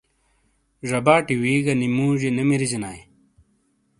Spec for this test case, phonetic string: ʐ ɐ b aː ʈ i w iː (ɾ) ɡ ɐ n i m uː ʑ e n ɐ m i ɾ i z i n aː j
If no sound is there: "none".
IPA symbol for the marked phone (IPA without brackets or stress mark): none